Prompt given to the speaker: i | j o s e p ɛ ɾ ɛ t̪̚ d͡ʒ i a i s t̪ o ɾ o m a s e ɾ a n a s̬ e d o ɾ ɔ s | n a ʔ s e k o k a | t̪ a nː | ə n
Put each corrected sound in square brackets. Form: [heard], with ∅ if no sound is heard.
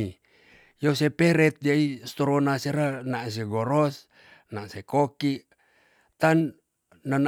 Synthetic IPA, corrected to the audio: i | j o s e p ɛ ɾ ɛ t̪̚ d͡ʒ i a i s t̪ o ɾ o [n] a s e ɾ a n a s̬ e [ɡ] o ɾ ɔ s | n a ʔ s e k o k [i] | t̪ a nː | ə n